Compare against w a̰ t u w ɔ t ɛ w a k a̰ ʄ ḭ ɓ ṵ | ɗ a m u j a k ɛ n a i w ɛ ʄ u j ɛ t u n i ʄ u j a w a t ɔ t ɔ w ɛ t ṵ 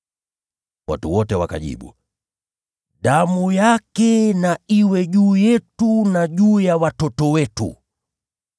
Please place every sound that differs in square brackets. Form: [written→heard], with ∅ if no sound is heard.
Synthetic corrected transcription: w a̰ t u w ɔ t ɛ w a k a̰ ʄ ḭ ɓ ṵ | ɗ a m u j a k ɛ n a i w ɛ ʄ [u→uː] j ɛ t u n [i→a] ʄ [u→uː] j a w a t ɔ t ɔ w ɛ t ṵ